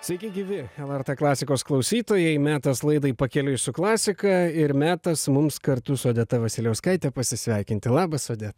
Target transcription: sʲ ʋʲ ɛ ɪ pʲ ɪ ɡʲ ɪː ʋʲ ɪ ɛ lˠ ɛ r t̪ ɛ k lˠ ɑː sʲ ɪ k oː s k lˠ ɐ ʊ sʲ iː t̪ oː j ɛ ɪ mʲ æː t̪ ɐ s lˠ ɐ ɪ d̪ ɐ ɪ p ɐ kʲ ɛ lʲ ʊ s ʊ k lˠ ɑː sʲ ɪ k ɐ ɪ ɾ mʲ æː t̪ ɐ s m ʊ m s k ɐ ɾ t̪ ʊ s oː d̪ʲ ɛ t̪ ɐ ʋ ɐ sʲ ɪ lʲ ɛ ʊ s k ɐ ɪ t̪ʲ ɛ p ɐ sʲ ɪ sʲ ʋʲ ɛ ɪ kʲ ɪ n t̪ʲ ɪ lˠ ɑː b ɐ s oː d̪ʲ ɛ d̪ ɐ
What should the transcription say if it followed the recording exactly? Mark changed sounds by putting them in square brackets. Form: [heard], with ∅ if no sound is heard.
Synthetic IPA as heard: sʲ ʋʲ ɛ ɪ [kʲ] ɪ ɡʲ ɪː ʋʲ ɪ ɛ lˠ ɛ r t̪ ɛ k lˠ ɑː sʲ ɪ k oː s k lˠ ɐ ʊ sʲ iː t̪ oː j ɛ ɪ mʲ æː t̪ ɐ s lˠ ɐ ɪ d̪ ɐ ɪ p ɐ kʲ ɛ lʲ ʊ s ʊ k lˠ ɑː sʲ ɪ k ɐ ɪ ɾ mʲ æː t̪ ɐ s m ʊ m s k ɐ ɾ t̪ ʊ s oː d̪ʲ ɛ t̪ ɐ ʋ ɐ sʲ ɪ lʲ ɛ ʊ s k ɐ ɪ t̪ʲ ɛ p ɐ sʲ ɪ sʲ ʋʲ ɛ ɪ kʲ ɪ n t̪ʲ ɪ lˠ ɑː b ɐ s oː d̪ʲ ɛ [t̪] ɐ